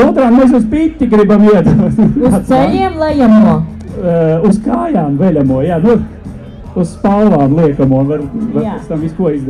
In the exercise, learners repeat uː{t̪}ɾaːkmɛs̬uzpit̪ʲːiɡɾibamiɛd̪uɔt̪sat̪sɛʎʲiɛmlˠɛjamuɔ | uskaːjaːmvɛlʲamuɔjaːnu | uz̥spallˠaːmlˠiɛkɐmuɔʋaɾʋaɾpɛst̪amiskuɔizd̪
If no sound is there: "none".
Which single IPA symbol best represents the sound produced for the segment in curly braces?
t̪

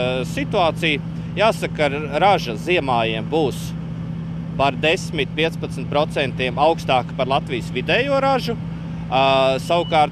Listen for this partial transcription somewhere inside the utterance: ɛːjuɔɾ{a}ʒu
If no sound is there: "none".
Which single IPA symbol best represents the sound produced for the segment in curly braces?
a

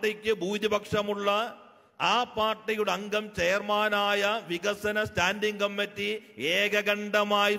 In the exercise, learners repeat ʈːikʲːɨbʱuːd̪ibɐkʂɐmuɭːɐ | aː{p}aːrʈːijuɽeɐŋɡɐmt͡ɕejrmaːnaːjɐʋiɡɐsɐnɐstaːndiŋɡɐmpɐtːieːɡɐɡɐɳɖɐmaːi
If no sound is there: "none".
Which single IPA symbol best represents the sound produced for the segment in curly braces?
p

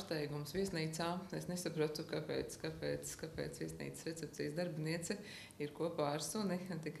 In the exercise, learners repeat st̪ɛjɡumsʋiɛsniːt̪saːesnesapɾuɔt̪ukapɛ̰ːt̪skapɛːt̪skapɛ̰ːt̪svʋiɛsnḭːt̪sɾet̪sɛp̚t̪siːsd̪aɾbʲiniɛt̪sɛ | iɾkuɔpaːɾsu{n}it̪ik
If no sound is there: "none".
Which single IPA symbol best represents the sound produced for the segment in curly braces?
n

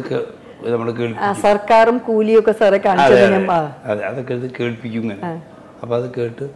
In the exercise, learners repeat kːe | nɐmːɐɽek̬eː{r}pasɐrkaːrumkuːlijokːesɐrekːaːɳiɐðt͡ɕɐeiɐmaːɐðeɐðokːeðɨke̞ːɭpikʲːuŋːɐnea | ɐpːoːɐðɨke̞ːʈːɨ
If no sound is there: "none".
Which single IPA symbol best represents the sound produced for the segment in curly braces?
ɭ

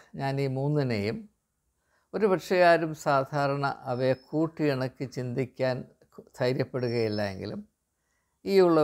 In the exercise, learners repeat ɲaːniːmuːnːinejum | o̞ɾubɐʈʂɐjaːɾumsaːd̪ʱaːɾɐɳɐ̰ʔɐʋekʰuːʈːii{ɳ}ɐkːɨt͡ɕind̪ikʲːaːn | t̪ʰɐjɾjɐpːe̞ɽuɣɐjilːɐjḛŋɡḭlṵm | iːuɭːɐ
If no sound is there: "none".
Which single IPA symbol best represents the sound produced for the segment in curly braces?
ɳ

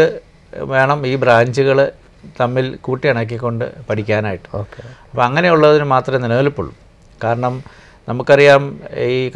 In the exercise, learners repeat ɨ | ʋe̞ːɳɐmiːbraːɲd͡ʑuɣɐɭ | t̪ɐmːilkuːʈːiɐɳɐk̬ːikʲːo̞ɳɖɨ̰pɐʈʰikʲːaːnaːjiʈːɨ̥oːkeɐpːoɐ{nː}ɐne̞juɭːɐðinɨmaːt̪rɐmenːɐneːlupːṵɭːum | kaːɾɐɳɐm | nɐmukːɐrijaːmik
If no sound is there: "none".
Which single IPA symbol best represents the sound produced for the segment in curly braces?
ŋː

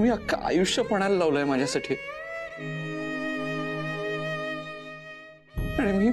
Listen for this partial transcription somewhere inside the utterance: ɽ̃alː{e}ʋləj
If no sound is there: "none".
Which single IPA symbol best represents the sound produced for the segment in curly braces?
a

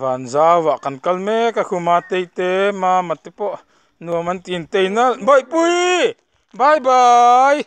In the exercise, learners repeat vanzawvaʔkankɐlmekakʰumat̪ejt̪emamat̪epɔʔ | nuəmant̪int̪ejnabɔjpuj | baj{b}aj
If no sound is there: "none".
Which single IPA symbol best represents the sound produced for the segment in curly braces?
b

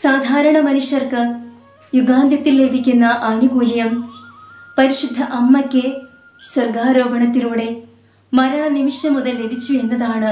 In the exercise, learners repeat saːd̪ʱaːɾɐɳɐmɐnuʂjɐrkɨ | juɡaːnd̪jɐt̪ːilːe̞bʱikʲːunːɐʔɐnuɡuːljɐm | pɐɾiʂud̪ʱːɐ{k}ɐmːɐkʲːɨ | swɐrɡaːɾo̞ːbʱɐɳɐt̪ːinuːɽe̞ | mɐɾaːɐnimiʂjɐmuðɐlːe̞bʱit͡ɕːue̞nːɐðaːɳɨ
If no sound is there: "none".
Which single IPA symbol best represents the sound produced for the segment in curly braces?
ʔ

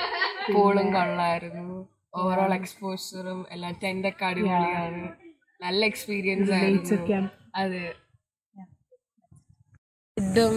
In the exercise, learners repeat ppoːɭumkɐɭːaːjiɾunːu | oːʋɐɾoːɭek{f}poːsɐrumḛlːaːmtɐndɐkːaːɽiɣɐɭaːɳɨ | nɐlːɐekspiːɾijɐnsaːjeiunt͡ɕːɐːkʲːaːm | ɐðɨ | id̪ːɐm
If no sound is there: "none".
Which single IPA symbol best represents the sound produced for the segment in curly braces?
s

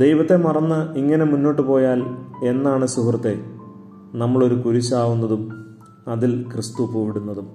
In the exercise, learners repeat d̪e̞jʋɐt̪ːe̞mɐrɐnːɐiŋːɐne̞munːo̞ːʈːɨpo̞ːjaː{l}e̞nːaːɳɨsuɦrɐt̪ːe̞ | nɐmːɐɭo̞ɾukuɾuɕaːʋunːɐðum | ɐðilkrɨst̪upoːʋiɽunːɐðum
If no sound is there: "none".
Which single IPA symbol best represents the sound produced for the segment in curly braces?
l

